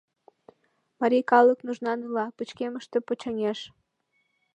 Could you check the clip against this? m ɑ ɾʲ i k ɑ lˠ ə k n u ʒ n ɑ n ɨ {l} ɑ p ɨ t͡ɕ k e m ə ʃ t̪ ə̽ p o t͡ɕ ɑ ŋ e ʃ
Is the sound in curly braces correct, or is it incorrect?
correct